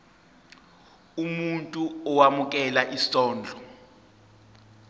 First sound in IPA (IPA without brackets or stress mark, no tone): u